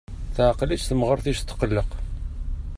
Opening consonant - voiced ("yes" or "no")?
no